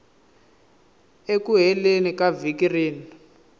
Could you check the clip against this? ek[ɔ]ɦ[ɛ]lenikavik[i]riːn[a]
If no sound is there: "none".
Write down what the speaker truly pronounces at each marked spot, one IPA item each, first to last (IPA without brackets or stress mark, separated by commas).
u, ɛ, i, i